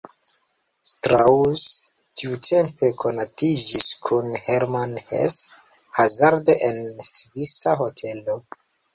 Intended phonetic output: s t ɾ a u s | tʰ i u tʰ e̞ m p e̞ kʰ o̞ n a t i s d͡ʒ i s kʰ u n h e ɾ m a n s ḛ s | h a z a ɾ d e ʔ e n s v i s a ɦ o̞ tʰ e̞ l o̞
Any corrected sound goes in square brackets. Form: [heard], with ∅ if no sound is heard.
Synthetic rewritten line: s t ɾ a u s | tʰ i u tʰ e̞ m p e̞ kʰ o̞ n a t i [∅] d͡ʒ i s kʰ u n h e ɾ m a n [h] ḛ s | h a z a ɾ d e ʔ e n s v i s a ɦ o̞ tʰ e̞ l o̞